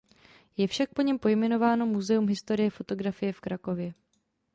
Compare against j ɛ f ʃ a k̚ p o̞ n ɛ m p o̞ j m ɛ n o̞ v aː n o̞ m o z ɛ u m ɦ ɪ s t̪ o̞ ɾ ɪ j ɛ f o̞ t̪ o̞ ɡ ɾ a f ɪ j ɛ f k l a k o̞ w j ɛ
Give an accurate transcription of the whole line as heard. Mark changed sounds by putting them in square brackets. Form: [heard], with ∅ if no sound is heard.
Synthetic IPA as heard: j ɛ f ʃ a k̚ p o̞ [ɲ] ɛ m p o̞ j m ɛ n o̞ v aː n o̞ m [u] z ɛ u m ɦ ɪ s t̪ o̞ ɾ ɪ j ɛ f o̞ t̪ o̞ ɡ ɾ a f ɪ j ɛ f k [ɾ] a k o̞ [v] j ɛ